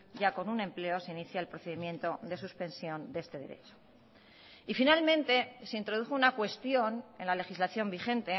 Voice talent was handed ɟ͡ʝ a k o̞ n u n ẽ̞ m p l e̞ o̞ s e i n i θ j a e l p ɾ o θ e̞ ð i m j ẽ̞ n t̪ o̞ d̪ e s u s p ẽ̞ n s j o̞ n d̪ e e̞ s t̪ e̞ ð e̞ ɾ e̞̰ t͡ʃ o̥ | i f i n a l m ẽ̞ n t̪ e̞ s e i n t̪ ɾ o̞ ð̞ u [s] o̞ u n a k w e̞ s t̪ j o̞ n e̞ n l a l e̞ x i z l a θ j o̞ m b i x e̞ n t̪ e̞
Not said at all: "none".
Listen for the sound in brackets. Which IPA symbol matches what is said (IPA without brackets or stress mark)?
x